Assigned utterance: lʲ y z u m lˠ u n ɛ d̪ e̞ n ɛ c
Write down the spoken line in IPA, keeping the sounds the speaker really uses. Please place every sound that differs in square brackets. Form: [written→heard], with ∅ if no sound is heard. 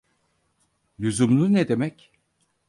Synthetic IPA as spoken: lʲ y z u m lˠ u n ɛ d̪ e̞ [n→m] ɛ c